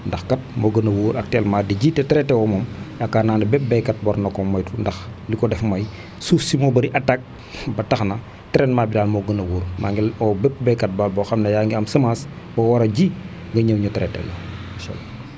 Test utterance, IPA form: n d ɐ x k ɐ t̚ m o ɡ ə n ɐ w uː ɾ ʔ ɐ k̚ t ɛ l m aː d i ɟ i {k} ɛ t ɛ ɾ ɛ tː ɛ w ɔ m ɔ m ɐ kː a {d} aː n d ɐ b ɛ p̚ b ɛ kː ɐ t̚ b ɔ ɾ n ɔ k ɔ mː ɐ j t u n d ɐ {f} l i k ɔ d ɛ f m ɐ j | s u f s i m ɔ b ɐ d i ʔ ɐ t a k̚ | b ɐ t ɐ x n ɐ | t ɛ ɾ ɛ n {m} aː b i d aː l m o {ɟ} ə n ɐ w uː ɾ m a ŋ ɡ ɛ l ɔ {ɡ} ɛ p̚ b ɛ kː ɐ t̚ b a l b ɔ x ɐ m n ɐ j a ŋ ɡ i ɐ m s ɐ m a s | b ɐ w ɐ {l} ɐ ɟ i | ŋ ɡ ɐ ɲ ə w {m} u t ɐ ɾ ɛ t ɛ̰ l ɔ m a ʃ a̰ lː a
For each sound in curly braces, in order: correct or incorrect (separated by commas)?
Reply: incorrect, incorrect, incorrect, correct, incorrect, incorrect, incorrect, incorrect